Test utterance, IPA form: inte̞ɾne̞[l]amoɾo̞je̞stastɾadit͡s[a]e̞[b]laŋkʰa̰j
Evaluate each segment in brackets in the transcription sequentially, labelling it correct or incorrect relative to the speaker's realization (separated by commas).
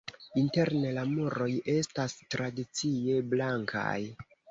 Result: correct, incorrect, correct